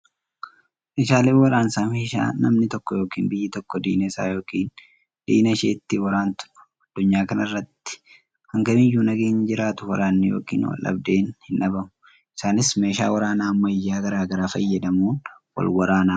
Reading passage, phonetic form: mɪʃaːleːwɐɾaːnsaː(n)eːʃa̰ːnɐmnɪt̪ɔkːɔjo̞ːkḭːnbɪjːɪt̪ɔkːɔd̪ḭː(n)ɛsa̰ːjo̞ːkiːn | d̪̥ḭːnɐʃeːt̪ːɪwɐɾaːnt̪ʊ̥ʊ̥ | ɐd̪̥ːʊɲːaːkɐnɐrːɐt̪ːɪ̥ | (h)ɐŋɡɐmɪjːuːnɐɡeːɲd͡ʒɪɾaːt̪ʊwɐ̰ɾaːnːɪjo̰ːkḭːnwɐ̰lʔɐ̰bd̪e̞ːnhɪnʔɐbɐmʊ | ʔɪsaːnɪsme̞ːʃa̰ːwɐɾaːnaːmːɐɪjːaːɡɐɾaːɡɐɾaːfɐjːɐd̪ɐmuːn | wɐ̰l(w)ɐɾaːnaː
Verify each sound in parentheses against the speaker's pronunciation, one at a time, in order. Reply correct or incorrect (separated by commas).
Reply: incorrect, correct, correct, correct